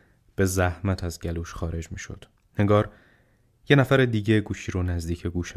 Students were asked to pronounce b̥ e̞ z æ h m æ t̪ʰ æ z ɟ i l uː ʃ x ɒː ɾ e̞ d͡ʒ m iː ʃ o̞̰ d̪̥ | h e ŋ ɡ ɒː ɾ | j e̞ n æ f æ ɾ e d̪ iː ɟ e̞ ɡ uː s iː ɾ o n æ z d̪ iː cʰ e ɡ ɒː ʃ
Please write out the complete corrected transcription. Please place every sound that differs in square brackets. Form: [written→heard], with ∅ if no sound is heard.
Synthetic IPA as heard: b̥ e̞ z æ h m æ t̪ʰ æ z ɟ [i→æ] l uː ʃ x ɒː ɾ e̞ d͡ʒ m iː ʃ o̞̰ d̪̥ | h e ŋ ɡ ɒː ɾ | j e̞ n æ f æ ɾ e d̪ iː ɟ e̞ ɡ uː [s→ʃ] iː ɾ o n æ z d̪ iː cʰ e ɡ [ɒː→uː] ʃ